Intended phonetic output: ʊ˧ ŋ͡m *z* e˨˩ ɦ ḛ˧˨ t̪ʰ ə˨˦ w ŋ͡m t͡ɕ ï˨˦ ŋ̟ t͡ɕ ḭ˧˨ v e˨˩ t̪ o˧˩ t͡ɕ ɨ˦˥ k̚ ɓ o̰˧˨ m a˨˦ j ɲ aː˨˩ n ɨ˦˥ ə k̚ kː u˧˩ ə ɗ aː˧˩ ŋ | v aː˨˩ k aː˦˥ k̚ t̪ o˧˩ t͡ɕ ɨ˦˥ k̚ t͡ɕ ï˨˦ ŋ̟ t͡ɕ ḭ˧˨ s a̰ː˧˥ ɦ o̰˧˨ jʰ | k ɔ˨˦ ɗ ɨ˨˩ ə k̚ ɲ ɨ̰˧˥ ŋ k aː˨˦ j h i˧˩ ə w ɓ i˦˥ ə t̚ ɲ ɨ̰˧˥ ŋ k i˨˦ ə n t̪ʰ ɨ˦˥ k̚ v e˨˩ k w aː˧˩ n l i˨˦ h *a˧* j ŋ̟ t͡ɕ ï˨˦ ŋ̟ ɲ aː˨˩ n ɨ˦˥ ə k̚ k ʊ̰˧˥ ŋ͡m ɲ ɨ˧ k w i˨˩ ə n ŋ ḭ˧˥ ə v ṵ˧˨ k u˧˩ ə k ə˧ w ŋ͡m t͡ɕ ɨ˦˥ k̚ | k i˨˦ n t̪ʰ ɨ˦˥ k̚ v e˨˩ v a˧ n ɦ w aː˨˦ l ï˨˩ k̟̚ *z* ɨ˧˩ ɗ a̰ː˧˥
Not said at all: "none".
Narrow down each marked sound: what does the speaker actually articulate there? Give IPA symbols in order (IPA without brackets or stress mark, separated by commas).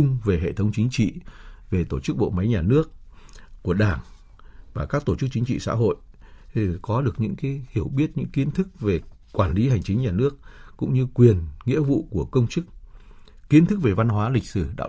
v, a˨˩, s